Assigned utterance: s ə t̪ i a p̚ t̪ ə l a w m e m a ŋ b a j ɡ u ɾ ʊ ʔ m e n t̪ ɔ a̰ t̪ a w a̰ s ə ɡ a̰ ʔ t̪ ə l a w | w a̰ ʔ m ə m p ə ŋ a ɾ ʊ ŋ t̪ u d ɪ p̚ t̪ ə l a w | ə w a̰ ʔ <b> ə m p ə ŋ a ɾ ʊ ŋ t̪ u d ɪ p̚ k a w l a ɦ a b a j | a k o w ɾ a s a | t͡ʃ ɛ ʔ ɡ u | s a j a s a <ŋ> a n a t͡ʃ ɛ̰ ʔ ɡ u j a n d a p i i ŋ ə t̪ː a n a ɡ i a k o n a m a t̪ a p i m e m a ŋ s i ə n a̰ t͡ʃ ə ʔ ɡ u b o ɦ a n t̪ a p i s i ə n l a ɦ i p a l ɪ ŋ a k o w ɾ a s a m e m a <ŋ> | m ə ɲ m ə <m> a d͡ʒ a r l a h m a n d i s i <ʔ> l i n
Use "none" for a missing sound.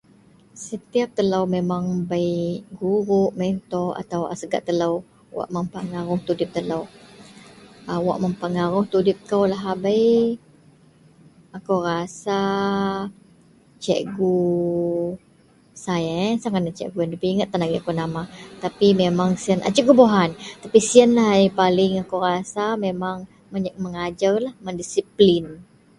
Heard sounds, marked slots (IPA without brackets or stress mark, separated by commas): m, ŋ, ŋ, ŋ, p